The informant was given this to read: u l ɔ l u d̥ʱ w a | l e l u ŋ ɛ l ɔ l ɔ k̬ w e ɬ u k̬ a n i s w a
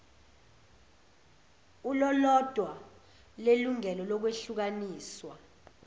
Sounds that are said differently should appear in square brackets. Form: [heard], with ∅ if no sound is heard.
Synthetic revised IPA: u l ɔ l [ɔ] d̥ʱ w a | l e l u ŋ ɛ l ɔ l ɔ k̬ w e ɬ u k̬ a n [iː] s w a